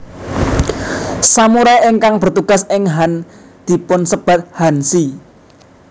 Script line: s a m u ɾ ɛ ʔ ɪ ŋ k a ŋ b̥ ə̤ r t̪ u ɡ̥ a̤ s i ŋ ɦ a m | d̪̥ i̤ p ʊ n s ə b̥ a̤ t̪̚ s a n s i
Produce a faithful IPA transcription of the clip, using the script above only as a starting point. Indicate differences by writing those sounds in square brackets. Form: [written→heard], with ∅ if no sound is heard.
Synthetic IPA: s a m u ɾ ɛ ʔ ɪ ŋ k a ŋ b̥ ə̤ r t̪ u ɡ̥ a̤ s [i→ɪ] ŋ ɦ a [m→n] | d̪̥ i̤ p ʊ n s ə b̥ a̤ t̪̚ [s→h] a n s i